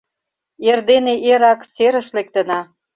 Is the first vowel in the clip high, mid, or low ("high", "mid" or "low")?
mid